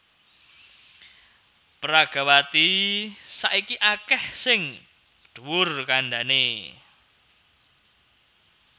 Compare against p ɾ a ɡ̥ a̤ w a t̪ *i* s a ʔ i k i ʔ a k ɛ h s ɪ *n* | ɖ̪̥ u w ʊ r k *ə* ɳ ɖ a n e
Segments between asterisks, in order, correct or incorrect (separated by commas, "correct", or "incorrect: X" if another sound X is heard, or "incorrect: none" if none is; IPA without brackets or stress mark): correct, incorrect: ŋ, incorrect: a